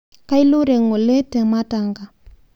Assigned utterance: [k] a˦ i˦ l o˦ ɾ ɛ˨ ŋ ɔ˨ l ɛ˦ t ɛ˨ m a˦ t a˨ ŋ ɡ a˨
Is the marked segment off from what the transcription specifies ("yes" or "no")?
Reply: no